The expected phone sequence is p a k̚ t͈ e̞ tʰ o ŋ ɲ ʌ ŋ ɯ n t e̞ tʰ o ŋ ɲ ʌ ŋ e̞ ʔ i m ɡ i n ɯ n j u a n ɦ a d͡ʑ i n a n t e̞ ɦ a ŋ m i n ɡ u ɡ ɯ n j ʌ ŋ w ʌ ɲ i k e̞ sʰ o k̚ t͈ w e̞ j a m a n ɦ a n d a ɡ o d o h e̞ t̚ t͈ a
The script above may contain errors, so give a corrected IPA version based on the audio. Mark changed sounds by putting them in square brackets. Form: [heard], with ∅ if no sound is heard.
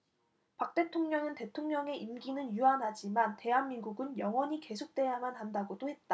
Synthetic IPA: p a k̚ t͈ e̞ tʰ o ŋ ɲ ʌ ŋ ɯ n t e̞ tʰ o ŋ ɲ ʌ ŋ e̞ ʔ i m ɡ i n ɯ n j u a n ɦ a d͡ʑ i [m] a n t e̞ ɦ a [n] m i n ɡ u ɡ ɯ n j ʌ ŋ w ʌ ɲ i k e̞ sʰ o k̚ t͈ w e̞ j a m a n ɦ a n d a ɡ o d o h e̞ t̚ t͈ a